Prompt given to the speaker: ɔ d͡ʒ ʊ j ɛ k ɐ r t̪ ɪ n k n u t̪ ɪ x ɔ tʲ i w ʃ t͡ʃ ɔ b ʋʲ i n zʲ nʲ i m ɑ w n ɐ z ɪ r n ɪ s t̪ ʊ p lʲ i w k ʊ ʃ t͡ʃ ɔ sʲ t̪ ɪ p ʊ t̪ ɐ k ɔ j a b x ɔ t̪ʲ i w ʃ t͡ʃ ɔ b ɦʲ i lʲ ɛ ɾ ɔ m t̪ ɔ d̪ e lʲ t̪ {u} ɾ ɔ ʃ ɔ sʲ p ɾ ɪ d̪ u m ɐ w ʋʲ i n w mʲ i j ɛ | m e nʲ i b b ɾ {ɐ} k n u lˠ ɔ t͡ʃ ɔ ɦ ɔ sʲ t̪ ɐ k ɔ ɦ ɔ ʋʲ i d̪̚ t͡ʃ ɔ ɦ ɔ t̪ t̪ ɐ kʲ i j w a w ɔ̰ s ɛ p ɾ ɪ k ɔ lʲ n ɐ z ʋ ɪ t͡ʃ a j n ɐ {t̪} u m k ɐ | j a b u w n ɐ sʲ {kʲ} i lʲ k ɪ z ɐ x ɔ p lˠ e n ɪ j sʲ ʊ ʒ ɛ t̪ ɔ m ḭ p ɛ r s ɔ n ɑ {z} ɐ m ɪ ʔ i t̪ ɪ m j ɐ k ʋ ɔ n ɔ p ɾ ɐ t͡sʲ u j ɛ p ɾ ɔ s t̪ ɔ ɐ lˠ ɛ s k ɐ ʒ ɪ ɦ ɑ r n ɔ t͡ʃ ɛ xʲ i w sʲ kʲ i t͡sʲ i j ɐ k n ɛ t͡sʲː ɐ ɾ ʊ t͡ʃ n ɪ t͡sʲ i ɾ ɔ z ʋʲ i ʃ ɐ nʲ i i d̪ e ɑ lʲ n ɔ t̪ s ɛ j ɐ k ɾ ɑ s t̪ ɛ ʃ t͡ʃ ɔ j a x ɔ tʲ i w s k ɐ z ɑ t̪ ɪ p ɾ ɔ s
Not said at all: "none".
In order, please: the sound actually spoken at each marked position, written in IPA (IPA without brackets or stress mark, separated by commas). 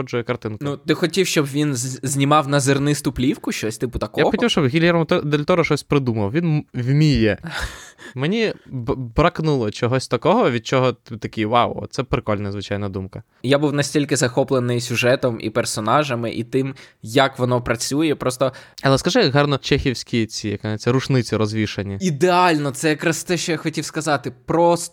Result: ɔ, ɐ, d̪, tʲ, ʒ